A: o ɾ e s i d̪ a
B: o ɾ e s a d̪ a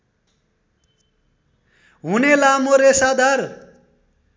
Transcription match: B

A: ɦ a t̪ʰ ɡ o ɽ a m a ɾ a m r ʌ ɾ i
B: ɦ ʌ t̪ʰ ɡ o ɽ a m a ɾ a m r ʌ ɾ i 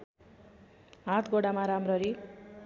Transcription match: A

